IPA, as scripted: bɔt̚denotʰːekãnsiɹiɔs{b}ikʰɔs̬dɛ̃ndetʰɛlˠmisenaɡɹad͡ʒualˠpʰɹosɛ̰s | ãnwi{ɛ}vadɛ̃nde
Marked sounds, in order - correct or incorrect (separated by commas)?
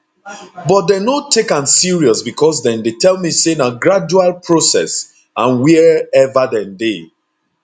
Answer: correct, correct